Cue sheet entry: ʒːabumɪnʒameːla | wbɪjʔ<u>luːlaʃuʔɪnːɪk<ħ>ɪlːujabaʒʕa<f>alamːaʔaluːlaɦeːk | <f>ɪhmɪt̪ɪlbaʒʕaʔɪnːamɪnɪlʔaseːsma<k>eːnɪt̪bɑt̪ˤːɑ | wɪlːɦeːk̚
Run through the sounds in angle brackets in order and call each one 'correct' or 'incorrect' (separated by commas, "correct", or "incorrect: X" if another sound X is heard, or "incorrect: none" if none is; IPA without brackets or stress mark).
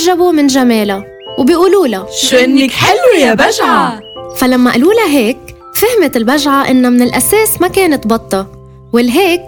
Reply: incorrect: uː, correct, correct, correct, correct